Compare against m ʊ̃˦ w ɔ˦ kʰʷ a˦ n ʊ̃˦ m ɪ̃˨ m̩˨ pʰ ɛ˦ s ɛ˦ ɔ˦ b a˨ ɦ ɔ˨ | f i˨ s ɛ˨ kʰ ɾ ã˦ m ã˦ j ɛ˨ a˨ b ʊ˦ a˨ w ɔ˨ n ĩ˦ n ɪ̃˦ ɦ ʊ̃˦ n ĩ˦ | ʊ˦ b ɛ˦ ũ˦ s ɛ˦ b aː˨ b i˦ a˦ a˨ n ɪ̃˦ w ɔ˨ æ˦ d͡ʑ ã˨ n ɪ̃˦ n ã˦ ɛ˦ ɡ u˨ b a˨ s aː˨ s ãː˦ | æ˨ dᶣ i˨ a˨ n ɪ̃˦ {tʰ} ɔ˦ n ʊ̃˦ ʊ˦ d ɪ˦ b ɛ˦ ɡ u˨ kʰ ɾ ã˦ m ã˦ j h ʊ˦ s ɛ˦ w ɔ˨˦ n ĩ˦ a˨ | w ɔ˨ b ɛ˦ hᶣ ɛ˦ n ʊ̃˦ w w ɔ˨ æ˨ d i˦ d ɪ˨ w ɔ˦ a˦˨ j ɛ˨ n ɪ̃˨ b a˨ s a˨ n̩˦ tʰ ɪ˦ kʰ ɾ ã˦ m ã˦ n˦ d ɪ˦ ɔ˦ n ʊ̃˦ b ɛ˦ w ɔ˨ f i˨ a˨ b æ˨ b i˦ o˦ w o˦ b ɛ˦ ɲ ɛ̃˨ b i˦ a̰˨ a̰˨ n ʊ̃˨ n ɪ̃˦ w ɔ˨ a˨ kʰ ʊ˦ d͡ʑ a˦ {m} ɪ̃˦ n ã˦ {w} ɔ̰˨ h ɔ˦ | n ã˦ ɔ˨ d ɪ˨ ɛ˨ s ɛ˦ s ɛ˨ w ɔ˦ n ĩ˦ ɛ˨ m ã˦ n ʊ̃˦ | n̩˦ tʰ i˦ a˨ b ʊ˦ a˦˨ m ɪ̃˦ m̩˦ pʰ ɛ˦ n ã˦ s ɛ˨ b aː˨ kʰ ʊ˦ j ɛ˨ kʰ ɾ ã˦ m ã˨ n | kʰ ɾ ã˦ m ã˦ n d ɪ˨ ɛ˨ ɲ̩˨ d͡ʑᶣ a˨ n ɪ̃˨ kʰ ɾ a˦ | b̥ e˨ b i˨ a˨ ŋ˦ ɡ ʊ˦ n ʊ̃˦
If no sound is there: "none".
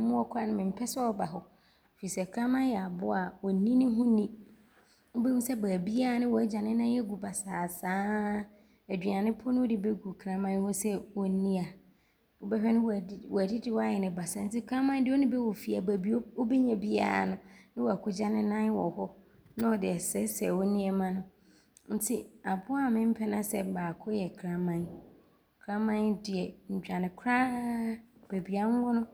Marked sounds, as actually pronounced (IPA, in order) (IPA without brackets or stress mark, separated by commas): pʰ, n, w